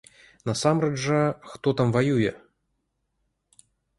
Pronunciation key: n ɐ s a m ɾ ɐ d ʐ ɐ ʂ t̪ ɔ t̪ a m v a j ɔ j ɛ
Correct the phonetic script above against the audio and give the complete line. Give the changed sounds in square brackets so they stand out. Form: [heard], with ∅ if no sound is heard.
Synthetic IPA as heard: n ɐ s a m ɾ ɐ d ʐ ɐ [x] t̪ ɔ t̪ a m v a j [u] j ɛ